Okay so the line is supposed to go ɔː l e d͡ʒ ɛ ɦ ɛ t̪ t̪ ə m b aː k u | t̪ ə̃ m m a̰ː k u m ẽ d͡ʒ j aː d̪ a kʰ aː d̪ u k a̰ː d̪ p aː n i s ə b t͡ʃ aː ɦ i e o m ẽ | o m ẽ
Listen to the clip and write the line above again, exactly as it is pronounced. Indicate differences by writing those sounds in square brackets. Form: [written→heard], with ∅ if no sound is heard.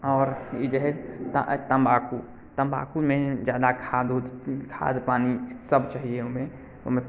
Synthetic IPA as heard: ɔː [l→ɾ] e d͡ʒ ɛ ɦ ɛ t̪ t̪ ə m b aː k u | t̪ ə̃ m [m→b] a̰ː k u m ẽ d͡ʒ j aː d̪ a kʰ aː d̪ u [k→kʰ] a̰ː d̪ p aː n i s ə b t͡ʃ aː ɦ i e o m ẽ | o m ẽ